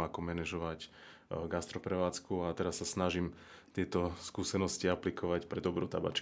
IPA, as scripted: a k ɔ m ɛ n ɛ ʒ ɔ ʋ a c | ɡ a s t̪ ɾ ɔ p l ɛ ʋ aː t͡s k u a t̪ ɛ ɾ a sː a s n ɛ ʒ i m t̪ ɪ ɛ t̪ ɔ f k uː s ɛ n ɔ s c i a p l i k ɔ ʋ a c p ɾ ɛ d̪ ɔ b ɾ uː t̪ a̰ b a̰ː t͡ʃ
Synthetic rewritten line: a k ɔ m ɛ n ɛ ʒ ɔ ʋ a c | ɡ a s t̪ ɾ ɔ p ɾ ɛ ʋ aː t͡s k u a t̪ ɛ ɾ a sː a s n a ʒ i m t̪ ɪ ɛ t̪ ɔ s k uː s ɛ n ɔ s c i a p l i k ɔ ʋ a c p ɾ ɛ d̪ ɔ b ɾ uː t̪ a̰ b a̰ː t͡ʃ